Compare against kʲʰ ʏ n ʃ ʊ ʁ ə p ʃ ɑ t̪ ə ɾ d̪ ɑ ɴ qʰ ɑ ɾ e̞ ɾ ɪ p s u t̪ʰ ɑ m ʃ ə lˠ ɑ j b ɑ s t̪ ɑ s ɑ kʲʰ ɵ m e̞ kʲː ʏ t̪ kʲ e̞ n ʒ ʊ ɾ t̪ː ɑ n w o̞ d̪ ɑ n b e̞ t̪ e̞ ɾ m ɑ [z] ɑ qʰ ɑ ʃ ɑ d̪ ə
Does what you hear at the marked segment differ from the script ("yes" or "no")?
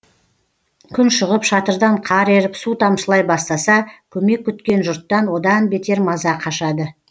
no